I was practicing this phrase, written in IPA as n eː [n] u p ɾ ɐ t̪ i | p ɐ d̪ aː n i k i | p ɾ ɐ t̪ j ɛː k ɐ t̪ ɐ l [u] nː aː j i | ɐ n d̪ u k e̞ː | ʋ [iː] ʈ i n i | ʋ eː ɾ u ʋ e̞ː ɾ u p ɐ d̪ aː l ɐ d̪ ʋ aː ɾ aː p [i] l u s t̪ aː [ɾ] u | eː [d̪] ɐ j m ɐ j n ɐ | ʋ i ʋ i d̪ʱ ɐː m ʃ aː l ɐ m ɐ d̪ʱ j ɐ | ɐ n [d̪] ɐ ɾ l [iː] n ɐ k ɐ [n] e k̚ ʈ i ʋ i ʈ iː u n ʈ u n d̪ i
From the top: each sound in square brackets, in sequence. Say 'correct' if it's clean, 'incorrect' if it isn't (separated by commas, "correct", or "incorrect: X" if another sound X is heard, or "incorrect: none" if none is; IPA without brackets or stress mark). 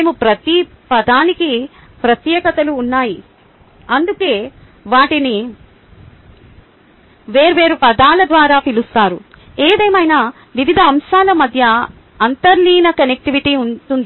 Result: incorrect: m, incorrect: uː, incorrect: aː, correct, correct, correct, incorrect: t̪, correct, correct